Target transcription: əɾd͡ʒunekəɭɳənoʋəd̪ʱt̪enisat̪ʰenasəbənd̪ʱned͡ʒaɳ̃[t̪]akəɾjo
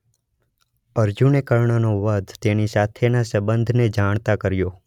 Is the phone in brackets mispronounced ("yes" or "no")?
no